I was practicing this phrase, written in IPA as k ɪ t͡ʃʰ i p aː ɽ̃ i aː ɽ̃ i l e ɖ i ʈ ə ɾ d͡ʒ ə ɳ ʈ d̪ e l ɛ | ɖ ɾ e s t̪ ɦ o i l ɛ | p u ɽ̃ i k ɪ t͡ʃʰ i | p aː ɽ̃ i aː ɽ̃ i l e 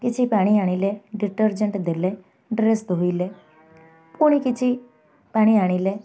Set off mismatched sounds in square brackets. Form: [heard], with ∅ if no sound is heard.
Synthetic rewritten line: k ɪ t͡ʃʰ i p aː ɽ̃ i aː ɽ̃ i l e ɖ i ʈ ə ɾ d͡ʒ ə ɳ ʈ d̪ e l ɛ | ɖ ɾ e s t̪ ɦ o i l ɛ | p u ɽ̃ i k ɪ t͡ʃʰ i | p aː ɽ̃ i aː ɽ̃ i l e